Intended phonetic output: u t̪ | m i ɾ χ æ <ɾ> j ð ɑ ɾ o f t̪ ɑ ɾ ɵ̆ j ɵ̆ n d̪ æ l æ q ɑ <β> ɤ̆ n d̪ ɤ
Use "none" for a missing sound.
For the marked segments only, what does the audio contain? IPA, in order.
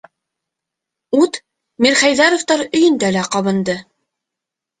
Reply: none, β

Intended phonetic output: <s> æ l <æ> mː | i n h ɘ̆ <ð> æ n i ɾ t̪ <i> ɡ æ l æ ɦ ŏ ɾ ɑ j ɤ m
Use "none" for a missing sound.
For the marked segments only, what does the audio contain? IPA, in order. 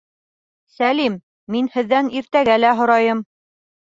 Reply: s, i, ðː, æ

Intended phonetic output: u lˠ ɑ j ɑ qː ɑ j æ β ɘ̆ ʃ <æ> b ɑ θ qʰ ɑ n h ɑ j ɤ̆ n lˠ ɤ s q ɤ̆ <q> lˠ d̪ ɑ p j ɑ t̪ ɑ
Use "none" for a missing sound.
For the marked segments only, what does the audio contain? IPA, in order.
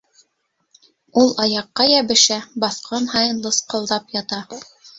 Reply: æ, none

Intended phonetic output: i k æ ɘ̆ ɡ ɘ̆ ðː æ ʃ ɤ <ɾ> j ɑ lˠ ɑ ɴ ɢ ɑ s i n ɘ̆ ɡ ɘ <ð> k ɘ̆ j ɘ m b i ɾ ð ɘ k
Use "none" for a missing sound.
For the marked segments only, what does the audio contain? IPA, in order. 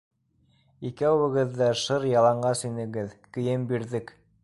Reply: ɾ, ð

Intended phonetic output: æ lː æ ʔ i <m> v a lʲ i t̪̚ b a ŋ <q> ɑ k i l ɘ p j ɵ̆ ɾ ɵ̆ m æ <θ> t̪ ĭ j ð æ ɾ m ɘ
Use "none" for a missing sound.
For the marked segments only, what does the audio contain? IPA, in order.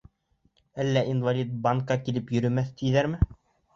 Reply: n, k, θ

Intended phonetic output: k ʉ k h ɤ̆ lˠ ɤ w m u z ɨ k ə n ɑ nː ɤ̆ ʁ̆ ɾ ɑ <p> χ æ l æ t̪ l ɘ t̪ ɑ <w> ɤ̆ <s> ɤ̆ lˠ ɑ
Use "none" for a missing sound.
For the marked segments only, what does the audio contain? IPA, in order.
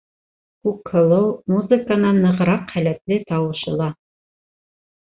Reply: q, w, ʃ

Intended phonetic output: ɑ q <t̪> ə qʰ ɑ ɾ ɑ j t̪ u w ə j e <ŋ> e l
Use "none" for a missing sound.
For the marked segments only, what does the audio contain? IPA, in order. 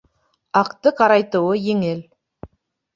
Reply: t̪, ŋ

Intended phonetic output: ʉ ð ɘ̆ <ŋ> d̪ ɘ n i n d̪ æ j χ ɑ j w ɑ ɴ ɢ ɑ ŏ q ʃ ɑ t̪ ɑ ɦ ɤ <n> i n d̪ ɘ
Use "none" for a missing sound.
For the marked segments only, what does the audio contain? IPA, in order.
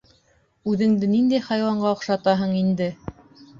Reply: ŋ, ɴ

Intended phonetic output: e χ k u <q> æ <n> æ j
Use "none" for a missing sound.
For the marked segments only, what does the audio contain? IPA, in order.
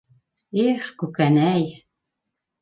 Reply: k, n

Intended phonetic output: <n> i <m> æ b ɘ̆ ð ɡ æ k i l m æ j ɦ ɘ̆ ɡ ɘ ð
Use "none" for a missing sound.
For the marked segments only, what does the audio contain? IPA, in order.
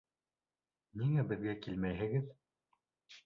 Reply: n, ŋ

